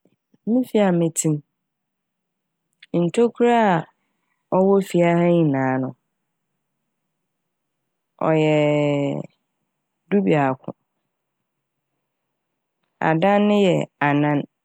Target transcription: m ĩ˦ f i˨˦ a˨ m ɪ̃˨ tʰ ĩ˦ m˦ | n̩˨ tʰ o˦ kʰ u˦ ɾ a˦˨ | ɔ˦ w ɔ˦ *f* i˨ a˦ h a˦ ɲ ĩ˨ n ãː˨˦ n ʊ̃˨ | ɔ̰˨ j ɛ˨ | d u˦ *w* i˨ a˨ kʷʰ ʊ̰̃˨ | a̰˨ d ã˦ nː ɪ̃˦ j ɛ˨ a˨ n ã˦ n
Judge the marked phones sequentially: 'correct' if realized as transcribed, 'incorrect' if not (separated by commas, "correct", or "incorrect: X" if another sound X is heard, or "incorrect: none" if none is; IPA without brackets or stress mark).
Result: correct, incorrect: b